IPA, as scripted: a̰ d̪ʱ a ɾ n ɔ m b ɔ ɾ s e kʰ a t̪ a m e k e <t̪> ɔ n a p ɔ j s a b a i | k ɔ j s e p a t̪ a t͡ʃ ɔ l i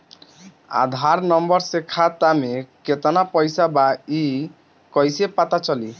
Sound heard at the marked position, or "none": t̪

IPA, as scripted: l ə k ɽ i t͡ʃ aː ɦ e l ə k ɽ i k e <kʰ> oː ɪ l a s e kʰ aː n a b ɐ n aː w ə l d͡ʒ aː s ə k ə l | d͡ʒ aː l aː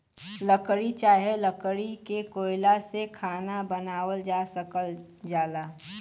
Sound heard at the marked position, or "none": k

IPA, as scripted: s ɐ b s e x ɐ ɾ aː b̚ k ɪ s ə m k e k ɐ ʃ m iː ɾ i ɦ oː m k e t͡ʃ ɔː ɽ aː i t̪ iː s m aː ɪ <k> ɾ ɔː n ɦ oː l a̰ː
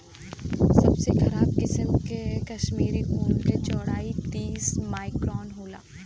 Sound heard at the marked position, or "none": k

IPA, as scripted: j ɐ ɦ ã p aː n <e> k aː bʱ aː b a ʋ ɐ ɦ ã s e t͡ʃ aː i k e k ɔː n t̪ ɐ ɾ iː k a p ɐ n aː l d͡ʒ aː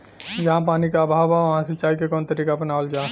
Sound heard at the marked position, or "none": i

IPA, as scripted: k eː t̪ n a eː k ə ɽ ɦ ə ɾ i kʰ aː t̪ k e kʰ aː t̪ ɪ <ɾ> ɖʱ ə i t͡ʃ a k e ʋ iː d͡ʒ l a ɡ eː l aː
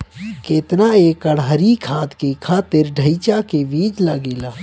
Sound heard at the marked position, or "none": ɾ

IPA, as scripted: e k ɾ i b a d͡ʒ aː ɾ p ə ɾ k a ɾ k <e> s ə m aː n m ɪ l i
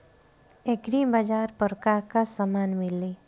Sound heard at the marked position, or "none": a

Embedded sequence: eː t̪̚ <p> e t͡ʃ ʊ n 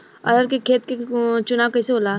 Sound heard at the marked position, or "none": k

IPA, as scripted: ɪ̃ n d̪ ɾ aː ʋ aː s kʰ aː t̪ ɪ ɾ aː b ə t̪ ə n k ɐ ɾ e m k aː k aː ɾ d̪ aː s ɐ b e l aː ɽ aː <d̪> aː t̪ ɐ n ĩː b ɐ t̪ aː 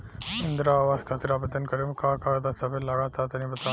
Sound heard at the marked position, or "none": t̪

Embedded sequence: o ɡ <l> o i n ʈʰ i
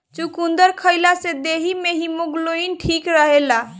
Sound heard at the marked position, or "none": l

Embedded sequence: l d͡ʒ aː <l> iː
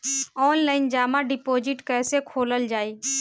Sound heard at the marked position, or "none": none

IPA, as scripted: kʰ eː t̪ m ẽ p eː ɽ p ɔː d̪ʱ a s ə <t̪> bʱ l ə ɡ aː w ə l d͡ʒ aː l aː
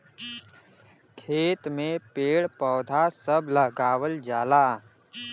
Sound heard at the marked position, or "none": none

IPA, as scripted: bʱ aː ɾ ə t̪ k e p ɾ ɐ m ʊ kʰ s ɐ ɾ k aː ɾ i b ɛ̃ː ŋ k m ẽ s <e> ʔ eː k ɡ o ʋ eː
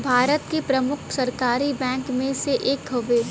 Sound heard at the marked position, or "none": e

